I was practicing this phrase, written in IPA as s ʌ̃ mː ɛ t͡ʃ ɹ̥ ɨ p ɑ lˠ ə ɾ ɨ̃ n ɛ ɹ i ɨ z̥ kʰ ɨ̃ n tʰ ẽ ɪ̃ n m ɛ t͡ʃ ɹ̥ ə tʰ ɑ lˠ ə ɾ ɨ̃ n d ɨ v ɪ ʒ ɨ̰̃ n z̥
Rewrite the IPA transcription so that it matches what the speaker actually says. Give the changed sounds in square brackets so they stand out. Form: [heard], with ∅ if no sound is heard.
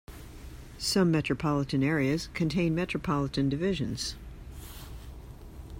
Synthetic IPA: s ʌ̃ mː ɛ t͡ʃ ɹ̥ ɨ [pʰ] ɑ lˠ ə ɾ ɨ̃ n ɛ ɹ i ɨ z̥ kʰ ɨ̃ n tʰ ẽ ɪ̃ n m ɛ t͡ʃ ɹ̥ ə [pʰ] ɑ lˠ ə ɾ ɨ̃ n d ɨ v ɪ ʒ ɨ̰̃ n z̥